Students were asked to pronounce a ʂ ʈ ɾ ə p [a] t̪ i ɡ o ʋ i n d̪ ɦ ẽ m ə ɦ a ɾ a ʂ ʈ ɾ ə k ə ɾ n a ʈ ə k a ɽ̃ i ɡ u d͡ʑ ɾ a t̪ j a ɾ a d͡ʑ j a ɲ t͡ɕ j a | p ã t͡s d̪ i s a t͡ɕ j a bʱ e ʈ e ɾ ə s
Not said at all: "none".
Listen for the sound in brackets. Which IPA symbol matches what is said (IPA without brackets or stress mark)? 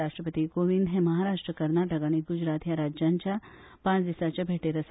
ə